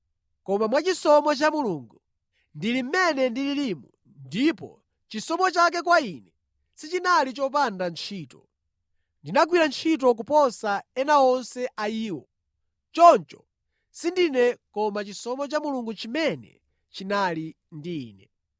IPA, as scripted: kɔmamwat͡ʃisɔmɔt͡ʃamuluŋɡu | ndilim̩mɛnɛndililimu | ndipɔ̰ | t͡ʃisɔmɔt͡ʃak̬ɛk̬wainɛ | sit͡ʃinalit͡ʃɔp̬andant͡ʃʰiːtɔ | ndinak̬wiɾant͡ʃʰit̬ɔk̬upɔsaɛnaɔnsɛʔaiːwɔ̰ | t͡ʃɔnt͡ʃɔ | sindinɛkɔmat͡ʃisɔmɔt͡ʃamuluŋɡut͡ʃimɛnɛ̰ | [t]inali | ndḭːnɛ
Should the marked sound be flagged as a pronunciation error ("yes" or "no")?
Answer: yes